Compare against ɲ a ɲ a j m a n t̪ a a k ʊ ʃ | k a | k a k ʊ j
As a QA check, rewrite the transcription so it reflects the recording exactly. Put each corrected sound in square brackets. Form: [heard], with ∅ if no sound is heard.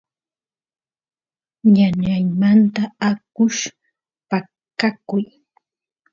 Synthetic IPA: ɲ a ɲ a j m a n t̪ a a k ʊ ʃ | [p] a | k a k ʊ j

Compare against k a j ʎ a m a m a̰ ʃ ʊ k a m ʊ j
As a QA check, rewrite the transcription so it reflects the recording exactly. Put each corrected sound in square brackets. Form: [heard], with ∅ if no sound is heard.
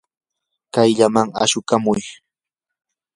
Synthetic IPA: k a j ʎ a m a [ŋ] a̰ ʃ ʊ k a m ʊ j

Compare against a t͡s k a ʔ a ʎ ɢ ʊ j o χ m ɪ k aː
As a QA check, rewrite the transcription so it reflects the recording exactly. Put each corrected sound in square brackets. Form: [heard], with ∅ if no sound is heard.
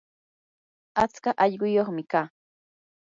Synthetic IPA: a t͡s k a ʔ [ɑ] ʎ ɢ ʊ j o χ m ɪ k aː

